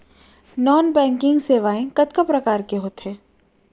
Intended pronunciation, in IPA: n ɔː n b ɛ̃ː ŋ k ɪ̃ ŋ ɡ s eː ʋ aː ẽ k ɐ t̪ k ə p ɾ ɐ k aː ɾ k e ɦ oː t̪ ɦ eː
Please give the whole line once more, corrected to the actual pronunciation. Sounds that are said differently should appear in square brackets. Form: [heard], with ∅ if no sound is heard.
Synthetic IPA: n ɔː n b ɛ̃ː ŋ k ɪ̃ ŋ ɡ s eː ʋ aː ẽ k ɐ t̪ k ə p ɾ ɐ k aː ɾ k e ɦ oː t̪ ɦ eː